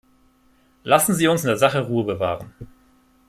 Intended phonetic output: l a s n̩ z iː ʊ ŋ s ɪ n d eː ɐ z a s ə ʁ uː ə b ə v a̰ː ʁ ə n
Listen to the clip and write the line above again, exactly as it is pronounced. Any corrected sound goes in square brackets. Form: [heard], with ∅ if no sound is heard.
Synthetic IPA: l a s n̩ z iː ʊ [n] s ɪ n d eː ɐ z a [χ] ə ʁ uː ə b ə v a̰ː ʁ ə n